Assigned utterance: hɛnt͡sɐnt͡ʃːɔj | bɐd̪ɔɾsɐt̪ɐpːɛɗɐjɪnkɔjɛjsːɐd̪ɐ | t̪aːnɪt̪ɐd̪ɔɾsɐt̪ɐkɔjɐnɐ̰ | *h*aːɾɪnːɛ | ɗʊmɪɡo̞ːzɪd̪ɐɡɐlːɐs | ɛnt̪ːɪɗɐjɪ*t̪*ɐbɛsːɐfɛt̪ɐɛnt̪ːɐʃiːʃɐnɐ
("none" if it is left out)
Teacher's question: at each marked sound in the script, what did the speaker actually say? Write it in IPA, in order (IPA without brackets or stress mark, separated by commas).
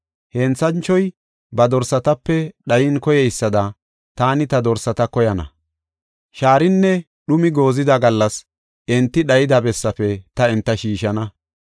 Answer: ʃ, d̪